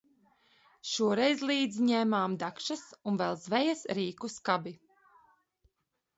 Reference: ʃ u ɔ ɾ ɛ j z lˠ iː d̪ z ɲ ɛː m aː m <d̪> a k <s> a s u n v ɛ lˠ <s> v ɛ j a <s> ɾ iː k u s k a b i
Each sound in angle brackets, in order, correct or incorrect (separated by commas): correct, incorrect, incorrect, correct